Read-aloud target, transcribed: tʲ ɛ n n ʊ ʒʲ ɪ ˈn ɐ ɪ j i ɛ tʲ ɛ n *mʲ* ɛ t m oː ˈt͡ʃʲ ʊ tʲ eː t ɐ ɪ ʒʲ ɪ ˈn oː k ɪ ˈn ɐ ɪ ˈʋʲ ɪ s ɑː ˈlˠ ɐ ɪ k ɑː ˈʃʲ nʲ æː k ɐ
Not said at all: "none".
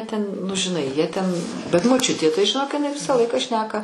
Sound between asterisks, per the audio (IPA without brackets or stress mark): bʲ